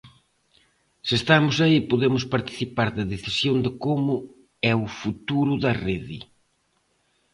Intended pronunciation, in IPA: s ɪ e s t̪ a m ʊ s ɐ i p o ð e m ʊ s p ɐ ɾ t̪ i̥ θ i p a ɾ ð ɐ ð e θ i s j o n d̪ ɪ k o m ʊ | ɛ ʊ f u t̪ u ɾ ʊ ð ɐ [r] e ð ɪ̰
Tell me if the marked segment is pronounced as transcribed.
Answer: yes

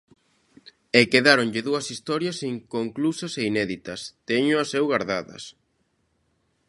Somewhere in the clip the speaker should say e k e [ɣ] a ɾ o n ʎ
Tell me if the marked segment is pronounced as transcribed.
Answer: no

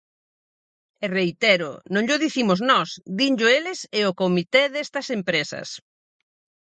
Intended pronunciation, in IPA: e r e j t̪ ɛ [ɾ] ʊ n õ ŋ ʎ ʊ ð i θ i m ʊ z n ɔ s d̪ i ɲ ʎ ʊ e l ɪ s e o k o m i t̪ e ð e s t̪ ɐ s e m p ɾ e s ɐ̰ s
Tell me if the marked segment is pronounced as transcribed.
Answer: yes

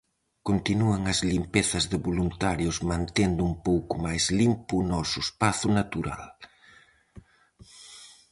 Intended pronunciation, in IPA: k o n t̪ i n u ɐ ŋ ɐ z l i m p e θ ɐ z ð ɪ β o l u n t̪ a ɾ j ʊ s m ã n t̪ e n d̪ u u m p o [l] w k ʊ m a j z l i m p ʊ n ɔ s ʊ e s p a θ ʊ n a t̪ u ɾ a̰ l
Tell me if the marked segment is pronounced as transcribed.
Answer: no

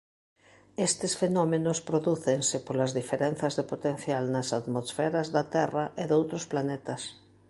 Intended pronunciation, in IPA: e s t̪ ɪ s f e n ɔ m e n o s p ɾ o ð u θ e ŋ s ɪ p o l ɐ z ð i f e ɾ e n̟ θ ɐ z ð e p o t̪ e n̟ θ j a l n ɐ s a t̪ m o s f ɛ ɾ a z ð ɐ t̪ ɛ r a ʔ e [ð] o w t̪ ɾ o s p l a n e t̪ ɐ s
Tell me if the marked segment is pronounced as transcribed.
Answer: yes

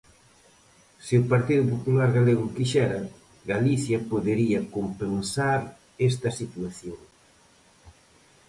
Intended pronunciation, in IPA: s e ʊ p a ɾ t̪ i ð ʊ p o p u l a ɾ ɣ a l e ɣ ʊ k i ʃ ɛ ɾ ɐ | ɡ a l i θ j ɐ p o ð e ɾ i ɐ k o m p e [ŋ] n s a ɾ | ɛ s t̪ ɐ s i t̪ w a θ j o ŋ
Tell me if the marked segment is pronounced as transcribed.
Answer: no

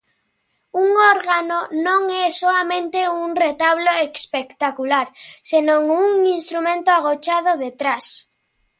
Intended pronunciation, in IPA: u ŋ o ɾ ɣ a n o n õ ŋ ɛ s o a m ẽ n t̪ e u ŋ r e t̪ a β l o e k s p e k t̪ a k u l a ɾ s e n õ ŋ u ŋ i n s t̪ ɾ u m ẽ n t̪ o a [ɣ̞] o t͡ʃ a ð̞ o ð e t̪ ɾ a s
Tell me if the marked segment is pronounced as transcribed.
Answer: yes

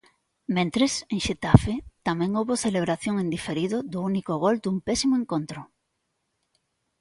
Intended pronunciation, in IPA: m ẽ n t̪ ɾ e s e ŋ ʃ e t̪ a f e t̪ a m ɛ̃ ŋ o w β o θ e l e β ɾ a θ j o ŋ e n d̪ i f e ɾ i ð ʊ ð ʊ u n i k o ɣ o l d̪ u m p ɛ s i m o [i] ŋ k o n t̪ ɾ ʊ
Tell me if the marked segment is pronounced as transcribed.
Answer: no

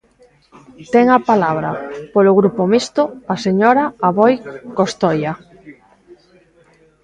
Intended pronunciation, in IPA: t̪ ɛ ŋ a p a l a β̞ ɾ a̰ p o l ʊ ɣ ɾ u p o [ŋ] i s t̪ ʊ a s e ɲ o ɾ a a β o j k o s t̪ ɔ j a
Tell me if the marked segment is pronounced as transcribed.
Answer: no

